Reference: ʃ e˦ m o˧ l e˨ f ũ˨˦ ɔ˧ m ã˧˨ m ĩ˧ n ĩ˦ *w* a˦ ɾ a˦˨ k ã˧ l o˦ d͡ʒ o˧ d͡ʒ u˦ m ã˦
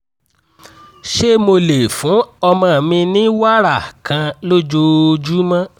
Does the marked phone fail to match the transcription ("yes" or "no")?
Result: no